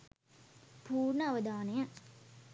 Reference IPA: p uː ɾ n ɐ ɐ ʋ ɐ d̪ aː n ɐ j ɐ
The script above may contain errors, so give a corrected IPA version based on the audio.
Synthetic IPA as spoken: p uː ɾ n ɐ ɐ ʋ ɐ d̪ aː n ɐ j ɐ